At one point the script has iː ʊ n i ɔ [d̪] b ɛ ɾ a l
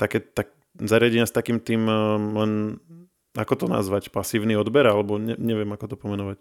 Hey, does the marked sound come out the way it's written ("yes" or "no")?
yes